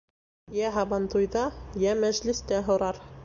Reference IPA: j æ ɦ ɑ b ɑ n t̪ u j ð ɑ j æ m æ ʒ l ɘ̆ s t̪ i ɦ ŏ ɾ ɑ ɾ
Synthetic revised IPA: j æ ɦ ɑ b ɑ n t̪ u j ð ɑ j æ m æ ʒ l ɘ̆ s t̪ æ ɦ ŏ ɾ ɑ ɾ